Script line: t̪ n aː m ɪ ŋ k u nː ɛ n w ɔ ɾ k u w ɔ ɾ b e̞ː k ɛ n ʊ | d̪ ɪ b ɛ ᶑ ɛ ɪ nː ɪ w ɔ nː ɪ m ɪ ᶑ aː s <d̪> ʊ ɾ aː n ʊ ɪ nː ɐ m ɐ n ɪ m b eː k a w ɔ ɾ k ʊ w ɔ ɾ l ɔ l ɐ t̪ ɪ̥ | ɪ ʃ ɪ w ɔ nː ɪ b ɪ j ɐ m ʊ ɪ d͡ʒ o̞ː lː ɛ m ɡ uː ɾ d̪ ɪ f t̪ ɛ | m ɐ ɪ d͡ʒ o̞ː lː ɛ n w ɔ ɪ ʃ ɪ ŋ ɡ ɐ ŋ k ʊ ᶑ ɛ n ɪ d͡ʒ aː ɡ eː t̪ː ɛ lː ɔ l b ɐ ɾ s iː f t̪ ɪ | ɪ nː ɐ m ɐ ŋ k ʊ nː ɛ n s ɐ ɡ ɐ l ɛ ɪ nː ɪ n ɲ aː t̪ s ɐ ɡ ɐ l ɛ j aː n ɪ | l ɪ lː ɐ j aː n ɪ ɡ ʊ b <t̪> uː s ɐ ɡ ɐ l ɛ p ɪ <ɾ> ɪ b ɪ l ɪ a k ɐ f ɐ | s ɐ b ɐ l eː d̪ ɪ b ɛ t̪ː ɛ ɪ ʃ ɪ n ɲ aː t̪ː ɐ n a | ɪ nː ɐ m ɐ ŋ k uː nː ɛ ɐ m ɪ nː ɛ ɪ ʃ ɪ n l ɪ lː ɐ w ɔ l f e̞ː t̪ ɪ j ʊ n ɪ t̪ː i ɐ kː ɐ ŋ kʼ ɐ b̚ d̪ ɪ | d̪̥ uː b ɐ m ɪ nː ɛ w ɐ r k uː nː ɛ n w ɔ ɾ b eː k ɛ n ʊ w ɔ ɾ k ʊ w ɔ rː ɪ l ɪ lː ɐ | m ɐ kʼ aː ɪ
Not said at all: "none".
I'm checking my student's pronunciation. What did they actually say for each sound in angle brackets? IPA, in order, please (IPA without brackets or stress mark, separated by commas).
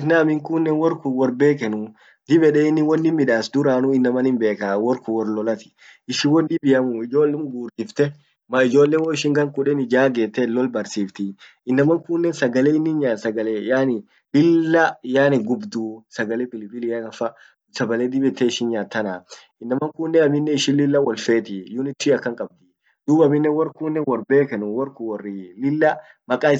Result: d̪, d̪, l